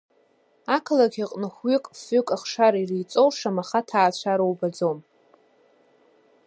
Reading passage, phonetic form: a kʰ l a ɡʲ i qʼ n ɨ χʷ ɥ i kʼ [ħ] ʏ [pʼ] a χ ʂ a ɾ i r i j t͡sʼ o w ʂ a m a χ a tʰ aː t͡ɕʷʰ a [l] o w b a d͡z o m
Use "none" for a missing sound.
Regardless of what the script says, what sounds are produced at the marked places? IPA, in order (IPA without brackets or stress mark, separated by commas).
f, kʼ, ɾ